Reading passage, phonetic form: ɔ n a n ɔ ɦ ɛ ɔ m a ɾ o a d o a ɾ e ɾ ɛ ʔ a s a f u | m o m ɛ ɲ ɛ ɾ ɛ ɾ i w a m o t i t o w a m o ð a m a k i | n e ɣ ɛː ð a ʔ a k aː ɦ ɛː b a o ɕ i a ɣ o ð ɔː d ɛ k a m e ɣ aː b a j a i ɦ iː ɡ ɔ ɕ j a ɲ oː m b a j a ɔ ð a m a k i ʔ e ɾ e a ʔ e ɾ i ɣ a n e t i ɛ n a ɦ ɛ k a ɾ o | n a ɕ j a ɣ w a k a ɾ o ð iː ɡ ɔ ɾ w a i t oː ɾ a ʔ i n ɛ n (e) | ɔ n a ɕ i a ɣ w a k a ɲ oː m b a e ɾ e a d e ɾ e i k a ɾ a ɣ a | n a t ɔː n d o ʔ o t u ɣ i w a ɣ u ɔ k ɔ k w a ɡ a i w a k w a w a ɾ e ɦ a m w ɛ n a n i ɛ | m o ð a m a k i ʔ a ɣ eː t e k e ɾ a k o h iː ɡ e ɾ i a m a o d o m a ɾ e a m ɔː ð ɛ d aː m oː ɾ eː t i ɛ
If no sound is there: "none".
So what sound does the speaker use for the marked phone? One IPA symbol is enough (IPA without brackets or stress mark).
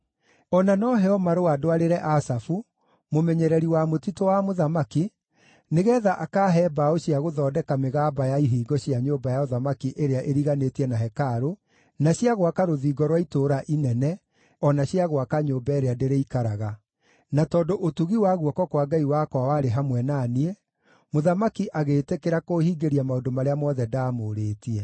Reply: ɛ